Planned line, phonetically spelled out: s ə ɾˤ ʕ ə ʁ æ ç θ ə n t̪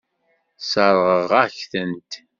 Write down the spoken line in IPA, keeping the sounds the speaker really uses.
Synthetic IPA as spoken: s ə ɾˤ ʁ ə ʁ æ ç θ ə n t̪

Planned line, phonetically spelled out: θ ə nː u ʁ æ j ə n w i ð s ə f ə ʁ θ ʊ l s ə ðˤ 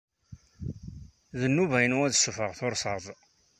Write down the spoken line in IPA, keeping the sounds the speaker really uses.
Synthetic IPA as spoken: ð ə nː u v æ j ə n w æ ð s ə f ə ʁ θ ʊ ɾ s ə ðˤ

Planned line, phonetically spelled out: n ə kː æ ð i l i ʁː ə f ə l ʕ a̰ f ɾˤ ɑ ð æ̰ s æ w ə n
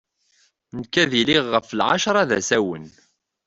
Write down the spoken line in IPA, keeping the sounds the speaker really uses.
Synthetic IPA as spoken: n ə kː æ ð i l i ʁː ə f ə l ʕ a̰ ʃ ɾˤ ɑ ð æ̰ s æ w ə n

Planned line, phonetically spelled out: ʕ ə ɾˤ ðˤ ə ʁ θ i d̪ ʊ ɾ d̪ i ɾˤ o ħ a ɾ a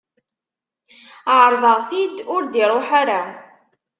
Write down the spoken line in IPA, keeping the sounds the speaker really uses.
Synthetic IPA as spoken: ʕ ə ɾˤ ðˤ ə ʁ θ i d̪ ʊ ɾ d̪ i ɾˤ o ħ a ɾ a

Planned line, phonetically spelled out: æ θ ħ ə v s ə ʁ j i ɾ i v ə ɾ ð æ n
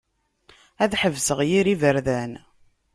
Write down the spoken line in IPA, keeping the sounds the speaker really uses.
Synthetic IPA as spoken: æ ð ħ ə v s ə ʁ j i ɾ i v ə ɾ ð æ n

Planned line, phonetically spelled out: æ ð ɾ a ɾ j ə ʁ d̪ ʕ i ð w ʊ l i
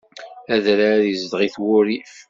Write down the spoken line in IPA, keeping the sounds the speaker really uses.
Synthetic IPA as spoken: æ ð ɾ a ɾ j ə z d̪ ʁ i θ w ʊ ɾ i

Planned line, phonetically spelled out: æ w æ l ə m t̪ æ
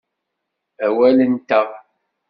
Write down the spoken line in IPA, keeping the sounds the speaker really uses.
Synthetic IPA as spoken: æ w æ l ə n t̪ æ

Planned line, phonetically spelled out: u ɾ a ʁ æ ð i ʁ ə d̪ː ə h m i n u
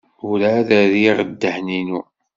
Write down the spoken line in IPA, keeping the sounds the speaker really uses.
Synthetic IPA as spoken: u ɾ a ð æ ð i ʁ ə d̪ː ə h n i n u

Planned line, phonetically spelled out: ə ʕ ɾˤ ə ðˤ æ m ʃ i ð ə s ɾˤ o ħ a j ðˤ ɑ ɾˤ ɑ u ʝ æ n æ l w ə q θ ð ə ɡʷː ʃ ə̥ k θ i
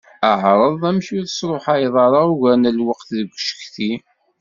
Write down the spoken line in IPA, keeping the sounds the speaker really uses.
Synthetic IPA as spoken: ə ʕ ɾˤ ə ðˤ æ m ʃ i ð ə s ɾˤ o ħ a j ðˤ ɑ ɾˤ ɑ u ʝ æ n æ l w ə q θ ð ə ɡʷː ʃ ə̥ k θ i

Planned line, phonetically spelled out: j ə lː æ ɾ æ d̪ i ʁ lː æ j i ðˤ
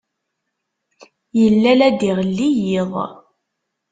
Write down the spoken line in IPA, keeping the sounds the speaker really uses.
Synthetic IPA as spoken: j ə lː æ l æ d̪ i ʁ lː i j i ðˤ

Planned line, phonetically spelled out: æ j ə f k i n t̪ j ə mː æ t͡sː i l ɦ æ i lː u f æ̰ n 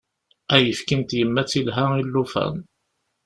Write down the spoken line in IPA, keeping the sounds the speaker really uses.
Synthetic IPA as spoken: æ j ə f k i n t̪ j ə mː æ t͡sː i l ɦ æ i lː u f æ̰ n

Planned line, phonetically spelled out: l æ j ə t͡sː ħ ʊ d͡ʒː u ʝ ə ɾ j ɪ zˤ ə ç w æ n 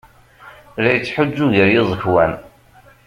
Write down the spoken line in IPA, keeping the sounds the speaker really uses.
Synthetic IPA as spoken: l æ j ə t͡sː ħ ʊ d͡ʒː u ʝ ə ɾ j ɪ zˤ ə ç w æ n

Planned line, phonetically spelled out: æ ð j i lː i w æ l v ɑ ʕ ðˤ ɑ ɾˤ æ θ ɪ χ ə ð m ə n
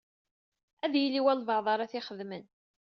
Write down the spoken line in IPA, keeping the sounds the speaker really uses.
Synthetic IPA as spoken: æ ð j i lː i w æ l v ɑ ʕ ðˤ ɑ ɾˤ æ θ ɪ χ ə ð m ə n

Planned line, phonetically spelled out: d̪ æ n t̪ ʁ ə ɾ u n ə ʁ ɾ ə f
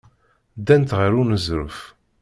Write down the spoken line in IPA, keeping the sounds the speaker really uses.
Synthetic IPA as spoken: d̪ æ n t̪ ʁ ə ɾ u n ə z ɾ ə f

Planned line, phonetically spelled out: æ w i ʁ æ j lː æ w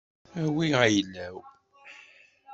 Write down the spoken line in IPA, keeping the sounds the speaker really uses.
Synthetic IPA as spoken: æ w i ʁ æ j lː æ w

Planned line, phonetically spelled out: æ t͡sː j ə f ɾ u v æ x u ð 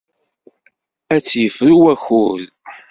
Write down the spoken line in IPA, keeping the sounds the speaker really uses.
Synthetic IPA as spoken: æ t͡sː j ə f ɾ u w æ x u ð

